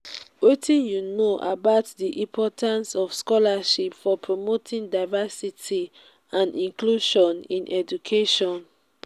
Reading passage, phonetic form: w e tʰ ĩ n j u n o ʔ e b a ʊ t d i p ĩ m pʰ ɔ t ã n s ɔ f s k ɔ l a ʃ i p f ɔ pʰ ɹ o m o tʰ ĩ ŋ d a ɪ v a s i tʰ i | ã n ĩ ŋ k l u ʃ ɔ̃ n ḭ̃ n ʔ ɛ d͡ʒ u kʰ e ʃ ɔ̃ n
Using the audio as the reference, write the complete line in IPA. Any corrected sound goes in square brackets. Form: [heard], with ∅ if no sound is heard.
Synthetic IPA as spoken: w e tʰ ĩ n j u n o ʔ [a] b a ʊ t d i [ʔ] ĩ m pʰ ɔ t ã n s ɔ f s k ɔ l a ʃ i p f ɔ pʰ ɹ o m o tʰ ĩ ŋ d a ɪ v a s i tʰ i | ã n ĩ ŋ k l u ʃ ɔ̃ n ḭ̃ n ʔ ɛ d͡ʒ u kʰ e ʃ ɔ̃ n